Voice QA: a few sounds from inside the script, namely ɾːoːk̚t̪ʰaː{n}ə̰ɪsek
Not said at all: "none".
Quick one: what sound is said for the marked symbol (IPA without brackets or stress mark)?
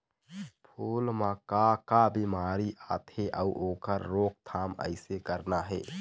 m